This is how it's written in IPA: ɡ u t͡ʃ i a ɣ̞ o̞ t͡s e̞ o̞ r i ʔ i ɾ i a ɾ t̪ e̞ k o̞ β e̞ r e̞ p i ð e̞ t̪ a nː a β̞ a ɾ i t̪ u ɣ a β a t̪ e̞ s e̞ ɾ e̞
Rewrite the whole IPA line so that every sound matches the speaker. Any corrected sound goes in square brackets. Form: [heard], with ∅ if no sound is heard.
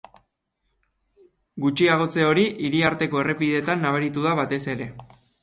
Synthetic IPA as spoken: ɡ u t͡ʃ i a ɣ̞ o̞ t͡s e̞ o̞ [ɾ] i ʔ i ɾ i a ɾ t̪ e̞ k o̞ [∅] e̞ r e̞ p i ð e̞ t̪ a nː a β̞ a ɾ i t̪ u [ð] a β a t̪ e̞ s e̞ ɾ e̞